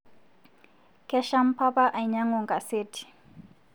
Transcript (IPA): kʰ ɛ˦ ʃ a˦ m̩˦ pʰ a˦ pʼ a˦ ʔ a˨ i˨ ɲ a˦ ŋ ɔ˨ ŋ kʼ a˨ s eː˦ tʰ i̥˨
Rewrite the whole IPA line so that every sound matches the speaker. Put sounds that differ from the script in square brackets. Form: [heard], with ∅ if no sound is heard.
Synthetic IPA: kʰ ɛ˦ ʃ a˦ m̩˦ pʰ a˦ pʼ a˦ ʔ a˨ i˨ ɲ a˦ ŋ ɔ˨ ŋ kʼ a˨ s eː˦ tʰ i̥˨